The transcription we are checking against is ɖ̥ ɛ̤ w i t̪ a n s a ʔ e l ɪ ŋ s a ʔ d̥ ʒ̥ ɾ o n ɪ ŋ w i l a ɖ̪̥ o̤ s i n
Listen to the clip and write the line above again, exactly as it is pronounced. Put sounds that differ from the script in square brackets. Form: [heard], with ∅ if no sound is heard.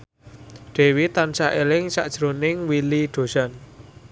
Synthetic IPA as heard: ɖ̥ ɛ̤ w i t̪ a n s a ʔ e l ɪ ŋ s a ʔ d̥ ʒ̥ ɾ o n ɪ ŋ w i l [i] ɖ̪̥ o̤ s [a] n